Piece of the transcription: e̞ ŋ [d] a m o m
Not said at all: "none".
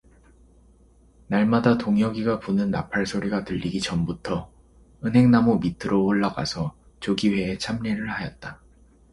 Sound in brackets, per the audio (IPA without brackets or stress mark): n